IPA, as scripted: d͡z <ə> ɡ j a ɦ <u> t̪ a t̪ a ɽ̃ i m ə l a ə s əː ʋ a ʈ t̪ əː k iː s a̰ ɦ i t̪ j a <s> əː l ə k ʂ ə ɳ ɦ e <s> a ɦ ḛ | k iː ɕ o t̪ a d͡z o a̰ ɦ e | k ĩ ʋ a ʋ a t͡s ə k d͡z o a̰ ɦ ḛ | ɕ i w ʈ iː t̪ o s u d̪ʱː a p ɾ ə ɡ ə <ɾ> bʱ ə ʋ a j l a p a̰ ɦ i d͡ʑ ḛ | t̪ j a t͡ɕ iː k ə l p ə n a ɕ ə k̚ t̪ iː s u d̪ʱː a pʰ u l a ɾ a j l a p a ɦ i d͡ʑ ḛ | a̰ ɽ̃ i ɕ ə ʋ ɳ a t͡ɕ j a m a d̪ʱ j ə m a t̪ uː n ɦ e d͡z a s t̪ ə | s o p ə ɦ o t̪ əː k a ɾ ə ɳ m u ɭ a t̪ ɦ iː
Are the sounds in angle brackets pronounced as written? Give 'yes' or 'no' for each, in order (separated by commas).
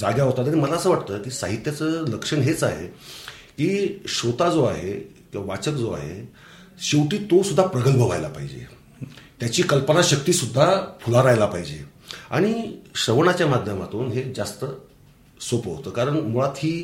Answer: no, no, no, no, no